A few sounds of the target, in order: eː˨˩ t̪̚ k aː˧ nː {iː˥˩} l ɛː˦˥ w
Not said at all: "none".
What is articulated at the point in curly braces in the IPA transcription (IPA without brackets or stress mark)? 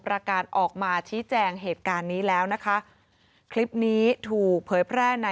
iː˦˥